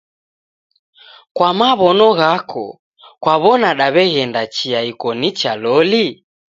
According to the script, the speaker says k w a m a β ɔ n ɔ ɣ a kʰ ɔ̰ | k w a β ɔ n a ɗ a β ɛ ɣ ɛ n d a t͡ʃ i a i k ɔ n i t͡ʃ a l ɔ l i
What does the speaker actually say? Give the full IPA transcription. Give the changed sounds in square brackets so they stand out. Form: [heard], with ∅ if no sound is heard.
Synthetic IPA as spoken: k w a m a β ɔ n ɔ ɣ a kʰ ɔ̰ | k w a β ɔ n a ɗ a β ɛ ɣ ɛ n d a t͡ʃ i a i k ɔ n i t͡ʃ a l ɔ l i